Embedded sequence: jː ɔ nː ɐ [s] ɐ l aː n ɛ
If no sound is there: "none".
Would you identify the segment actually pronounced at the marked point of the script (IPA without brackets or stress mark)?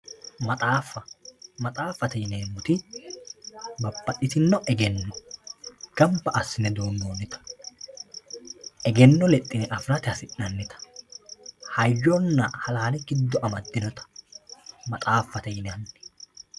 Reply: h